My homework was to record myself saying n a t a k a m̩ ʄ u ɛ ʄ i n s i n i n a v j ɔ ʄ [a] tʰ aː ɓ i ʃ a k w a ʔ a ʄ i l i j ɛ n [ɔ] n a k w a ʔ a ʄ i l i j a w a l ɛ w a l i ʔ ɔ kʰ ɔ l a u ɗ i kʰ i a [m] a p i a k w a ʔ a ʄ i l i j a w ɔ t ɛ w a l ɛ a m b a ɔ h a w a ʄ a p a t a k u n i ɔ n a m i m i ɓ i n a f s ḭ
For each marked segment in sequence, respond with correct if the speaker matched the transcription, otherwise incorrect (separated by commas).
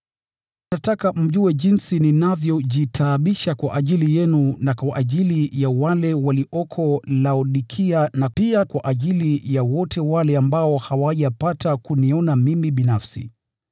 incorrect, incorrect, incorrect